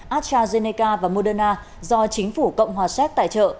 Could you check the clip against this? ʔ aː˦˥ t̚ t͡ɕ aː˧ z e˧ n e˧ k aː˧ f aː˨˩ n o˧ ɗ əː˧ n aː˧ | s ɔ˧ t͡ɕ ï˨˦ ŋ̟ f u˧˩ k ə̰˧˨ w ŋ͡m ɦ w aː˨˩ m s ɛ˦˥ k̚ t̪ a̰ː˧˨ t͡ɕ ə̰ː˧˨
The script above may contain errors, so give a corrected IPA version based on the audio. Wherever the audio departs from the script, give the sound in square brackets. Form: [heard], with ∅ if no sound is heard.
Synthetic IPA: ʔ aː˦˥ t̚ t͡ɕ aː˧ z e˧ n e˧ k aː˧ [v] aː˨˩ [m] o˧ ɗ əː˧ n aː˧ | [z] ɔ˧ t͡ɕ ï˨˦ ŋ̟ f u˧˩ k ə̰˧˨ w ŋ͡m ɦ w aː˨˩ [∅] s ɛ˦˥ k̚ t̪ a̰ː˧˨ t͡ɕ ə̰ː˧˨